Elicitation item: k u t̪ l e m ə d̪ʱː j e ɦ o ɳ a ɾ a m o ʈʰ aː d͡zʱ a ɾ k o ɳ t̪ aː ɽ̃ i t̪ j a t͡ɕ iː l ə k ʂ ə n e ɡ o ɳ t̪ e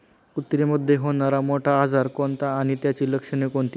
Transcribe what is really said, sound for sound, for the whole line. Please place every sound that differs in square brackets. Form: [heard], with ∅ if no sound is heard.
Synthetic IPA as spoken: k u t̪ [ɾ] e m ə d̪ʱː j e ɦ o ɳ a ɾ a m o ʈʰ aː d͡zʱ a ɾ k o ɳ t̪ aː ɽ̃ i t̪ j a t͡ɕ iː l ə k ʂ ə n e [k] o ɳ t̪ [i]